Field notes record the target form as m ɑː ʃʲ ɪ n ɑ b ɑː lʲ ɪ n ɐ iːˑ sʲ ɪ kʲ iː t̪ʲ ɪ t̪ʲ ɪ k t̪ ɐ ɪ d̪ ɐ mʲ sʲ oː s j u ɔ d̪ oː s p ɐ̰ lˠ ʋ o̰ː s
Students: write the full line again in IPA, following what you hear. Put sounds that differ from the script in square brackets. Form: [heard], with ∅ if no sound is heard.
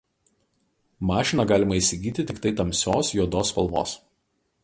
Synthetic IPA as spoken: m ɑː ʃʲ ɪ n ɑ [ɡ] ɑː lʲ ɪ [m] ɐ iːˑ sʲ ɪ [ɡʲ] iː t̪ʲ ɪ t̪ʲ ɪ k t̪ ɐ ɪ [t̪] ɐ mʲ sʲ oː s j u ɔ d̪ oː s p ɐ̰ lˠ ʋ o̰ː s